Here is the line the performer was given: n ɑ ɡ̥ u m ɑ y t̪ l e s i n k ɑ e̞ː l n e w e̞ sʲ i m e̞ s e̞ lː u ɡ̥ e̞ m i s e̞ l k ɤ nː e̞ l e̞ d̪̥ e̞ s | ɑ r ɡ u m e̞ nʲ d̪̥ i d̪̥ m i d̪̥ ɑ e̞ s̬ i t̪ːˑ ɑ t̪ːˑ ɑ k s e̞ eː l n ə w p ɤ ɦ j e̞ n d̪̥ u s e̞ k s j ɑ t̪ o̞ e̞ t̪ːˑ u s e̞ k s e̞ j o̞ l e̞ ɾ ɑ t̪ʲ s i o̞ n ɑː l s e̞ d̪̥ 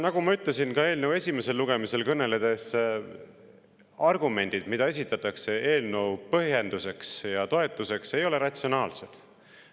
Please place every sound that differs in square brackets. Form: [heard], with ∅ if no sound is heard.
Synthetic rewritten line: n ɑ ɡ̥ u m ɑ y t̪ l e s i n k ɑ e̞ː l n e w e̞ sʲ i m e̞ s e̞ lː u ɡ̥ e̞ m i s e̞ l k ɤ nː e̞ l e̞ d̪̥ e̞ s | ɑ r ɡ u m e̞ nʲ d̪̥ i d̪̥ m i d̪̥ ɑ e̞ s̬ i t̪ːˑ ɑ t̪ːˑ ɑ k s e̞ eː l n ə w p ɤ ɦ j e̞ n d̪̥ u s e̞ k s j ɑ t̪ o̞ e̞ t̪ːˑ u s e̞ k s e̞ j o̞ l e̞ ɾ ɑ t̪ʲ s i o̞ n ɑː l s e̞ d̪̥